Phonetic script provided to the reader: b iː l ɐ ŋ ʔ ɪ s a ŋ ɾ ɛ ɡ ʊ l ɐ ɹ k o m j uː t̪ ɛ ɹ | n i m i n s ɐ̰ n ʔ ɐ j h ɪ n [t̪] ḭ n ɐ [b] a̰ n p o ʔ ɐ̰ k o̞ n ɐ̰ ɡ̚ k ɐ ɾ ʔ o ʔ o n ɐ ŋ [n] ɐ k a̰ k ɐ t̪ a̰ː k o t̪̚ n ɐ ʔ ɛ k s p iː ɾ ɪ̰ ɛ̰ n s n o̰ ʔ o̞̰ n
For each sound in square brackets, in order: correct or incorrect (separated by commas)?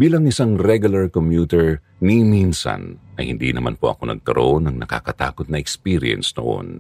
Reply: incorrect, incorrect, correct